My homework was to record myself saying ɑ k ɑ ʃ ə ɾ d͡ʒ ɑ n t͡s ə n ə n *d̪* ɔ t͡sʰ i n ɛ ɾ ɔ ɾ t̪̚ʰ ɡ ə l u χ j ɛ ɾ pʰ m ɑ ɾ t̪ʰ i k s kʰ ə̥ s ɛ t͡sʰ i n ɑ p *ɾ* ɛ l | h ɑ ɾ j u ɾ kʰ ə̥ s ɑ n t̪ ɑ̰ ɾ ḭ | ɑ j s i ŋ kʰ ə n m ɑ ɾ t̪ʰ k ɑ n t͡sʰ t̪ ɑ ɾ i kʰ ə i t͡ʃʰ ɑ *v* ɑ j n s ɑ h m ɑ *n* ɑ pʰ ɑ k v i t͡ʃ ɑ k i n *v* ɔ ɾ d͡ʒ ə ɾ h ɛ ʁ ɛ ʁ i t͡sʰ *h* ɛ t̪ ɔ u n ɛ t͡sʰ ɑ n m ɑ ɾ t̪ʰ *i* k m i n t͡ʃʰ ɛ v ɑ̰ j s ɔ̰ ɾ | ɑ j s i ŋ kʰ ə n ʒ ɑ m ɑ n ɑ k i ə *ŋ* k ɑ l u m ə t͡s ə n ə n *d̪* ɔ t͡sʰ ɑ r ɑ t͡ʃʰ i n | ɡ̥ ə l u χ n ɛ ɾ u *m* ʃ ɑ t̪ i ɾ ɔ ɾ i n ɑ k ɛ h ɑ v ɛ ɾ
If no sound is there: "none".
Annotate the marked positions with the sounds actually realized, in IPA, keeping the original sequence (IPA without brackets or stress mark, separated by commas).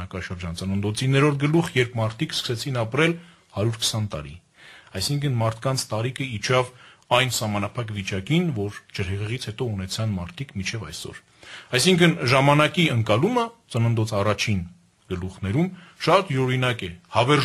d̪, ɾ, v, n, v, h, i, ŋ, d̪, m